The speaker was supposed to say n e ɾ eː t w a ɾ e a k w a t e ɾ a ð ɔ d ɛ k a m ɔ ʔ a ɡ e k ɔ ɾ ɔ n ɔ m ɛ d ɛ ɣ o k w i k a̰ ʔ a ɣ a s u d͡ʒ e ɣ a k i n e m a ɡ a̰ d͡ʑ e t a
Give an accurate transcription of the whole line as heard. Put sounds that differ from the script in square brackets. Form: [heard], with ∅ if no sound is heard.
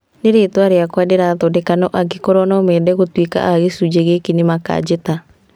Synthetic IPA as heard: n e ɾ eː t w a ɾ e a k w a [d] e ɾ a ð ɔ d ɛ k a [n] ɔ ʔ a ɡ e k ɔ ɾ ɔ n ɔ m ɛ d ɛ ɣ o [t] w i k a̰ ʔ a ɣ [e] s u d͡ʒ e ɣ [e] k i n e m a [k] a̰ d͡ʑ e t a